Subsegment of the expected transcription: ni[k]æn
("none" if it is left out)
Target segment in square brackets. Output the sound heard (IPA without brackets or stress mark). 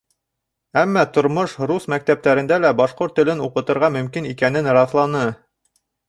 k